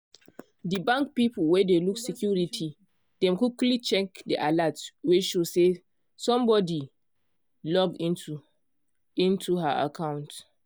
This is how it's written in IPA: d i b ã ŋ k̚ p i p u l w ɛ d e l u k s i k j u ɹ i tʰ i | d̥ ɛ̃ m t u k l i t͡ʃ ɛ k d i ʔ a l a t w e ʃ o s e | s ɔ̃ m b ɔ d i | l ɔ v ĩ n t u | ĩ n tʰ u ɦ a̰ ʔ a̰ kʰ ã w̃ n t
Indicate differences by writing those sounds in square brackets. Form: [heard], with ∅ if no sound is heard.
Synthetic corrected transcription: d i b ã ŋ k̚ p i p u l w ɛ d e l u k s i k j u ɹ i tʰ i | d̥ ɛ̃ m [k] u k l i t͡ʃ ɛ k d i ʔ a l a t w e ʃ o s e | s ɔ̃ m b ɔ d i | l ɔ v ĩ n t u | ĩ n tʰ u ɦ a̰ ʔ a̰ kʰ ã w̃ n t